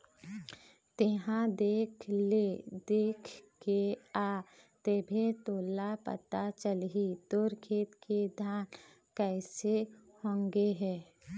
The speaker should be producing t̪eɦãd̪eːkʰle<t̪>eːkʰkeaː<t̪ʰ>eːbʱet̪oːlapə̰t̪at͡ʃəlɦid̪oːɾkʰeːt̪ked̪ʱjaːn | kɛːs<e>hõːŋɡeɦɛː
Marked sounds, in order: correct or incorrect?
incorrect: d̪, incorrect: t̪, correct

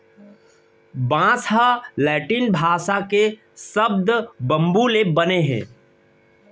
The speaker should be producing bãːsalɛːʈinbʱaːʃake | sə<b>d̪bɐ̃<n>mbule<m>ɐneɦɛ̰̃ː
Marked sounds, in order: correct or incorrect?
correct, incorrect: none, incorrect: b

